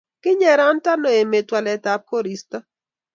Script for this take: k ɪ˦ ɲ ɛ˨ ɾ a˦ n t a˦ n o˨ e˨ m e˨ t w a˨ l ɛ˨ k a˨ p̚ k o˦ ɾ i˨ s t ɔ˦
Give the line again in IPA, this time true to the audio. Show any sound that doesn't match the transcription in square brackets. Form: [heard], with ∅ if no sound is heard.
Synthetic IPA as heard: k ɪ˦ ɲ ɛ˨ ɾ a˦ n t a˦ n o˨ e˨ m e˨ t w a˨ l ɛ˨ [t] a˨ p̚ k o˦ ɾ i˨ s t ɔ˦